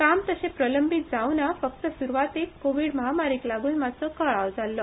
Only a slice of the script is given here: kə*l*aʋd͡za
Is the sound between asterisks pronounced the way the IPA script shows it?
no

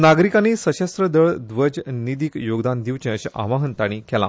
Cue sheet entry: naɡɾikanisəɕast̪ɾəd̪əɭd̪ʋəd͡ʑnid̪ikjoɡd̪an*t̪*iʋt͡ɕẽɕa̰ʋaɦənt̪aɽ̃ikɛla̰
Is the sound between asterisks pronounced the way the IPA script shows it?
no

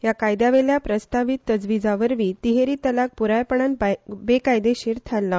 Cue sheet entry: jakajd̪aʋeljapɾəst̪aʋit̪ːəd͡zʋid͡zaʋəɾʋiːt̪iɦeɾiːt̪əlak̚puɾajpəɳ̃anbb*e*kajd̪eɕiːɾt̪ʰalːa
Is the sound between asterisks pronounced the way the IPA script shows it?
yes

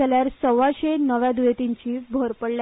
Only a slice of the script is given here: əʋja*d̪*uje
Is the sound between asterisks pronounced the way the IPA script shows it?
yes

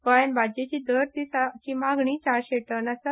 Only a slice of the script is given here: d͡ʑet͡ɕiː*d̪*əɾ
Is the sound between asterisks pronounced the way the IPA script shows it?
yes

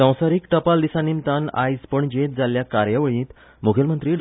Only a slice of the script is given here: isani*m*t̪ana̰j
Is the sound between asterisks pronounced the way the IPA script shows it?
yes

